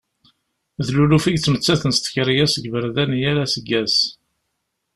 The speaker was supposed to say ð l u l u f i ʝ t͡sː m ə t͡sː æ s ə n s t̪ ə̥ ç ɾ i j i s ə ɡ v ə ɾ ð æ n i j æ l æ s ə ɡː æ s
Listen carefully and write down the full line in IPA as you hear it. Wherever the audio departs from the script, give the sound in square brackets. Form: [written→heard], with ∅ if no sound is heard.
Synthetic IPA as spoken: ð l u l u f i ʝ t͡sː m ə t͡sː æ [s→θ] ə n s t̪ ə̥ ç ɾ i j [i→æ] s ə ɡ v ə ɾ ð æ n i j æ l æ s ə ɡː æ s